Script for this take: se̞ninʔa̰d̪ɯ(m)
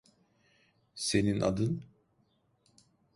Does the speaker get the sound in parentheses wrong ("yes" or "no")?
yes